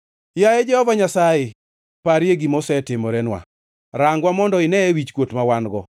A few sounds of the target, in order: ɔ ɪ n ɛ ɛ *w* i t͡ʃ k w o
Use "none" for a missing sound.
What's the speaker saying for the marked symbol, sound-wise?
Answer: w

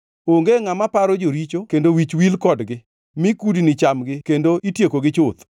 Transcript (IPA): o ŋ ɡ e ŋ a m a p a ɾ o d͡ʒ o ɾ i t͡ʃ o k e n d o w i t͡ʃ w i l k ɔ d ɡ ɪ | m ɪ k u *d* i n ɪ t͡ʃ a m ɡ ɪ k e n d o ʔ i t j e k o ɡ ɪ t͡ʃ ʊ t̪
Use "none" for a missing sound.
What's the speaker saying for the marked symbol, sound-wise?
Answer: d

